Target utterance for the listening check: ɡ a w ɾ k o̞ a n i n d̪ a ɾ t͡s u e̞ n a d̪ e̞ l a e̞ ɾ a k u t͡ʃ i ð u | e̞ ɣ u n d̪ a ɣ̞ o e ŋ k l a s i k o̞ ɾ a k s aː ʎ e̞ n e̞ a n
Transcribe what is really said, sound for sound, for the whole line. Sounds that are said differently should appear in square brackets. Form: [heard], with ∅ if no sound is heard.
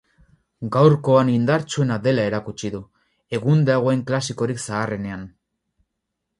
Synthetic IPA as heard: ɡ a w ɾ k o̞ a n i n d̪ a ɾ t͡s u e̞ n a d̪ e̞ l a e̞ ɾ a k u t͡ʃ i ð u | e̞ ɣ u n d̪ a ɣ̞ o e ŋ k l a s i k o̞ ɾ [i] k s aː [r] e̞ n e̞ a n